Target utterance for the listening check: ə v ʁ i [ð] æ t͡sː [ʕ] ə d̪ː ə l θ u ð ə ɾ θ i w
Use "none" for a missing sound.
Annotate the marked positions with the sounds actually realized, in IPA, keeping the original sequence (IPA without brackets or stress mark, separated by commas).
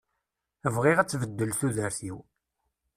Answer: ʁ, v